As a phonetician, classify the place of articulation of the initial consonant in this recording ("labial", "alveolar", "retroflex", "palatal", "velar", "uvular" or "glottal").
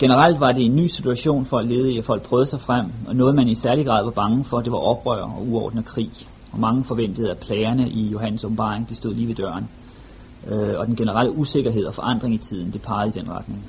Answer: velar